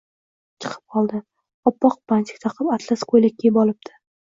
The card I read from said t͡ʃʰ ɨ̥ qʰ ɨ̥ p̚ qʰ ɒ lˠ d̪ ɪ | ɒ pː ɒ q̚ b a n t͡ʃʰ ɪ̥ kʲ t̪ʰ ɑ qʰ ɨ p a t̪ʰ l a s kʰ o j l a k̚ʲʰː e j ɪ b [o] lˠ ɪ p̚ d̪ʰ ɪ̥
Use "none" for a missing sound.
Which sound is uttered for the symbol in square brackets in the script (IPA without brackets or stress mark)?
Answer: ɒ